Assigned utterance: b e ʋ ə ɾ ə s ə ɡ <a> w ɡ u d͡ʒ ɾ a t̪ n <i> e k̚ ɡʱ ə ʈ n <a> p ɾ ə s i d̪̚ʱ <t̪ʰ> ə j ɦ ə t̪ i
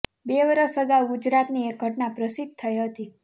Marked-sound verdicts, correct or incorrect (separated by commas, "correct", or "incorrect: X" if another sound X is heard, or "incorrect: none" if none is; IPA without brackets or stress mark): correct, correct, correct, correct